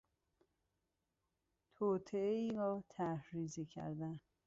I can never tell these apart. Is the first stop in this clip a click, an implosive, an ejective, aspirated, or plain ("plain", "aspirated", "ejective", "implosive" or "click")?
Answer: aspirated